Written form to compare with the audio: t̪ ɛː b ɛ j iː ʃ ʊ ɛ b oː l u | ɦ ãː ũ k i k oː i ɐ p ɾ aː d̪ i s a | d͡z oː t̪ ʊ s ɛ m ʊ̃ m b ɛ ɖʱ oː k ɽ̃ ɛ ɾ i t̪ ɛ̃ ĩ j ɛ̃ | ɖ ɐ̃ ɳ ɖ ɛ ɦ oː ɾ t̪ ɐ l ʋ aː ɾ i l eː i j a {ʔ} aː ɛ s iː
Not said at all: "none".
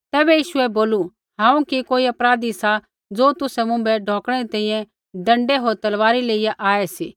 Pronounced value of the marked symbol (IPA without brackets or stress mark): ʔ